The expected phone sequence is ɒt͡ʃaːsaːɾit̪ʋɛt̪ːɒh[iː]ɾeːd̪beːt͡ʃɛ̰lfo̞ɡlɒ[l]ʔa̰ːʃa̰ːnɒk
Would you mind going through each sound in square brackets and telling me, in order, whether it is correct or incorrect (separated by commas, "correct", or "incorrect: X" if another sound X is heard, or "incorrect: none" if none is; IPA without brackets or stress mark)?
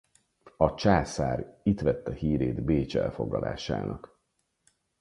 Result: correct, correct